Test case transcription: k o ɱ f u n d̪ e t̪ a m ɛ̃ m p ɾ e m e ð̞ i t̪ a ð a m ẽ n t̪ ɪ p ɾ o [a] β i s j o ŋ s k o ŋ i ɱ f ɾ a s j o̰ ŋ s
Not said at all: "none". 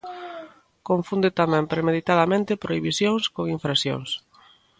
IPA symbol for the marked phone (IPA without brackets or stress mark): i